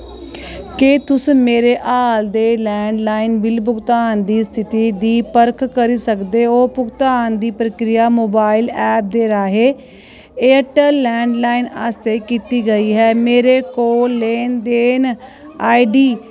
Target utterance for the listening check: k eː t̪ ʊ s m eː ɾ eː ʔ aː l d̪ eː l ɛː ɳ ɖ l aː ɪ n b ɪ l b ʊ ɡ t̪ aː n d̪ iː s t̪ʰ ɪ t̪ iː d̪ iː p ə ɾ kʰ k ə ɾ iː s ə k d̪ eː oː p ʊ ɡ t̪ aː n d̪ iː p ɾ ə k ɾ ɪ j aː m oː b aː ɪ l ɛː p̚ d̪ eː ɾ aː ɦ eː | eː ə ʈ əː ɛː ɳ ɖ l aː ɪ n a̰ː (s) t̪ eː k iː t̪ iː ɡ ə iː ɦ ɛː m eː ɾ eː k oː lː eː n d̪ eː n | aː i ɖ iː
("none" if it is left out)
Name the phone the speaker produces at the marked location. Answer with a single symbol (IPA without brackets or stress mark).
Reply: s